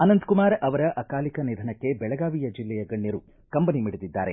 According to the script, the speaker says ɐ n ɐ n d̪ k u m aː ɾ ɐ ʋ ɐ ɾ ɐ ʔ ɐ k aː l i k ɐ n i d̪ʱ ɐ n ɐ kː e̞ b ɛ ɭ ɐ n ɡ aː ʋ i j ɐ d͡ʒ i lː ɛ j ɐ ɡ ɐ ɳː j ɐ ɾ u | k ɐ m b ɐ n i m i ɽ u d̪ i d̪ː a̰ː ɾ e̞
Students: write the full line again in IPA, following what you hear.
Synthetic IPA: ɐ n ɐ n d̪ k u m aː ɾ ɐ ʋ ɐ ɾ ɐ ʔ ɐ k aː l i k ɐ n i d̪ʱ ɐ n ɐ kː e̞ b ɛ ɭ ɐ ɡ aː ʋ i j ɐ d͡ʒ i lː ɛ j ɐ ɡ ɐ ɳː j ɐ ɾ u | k ɐ m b ɐ n i m i ɽ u d̪ i d̪ː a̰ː ɾ e̞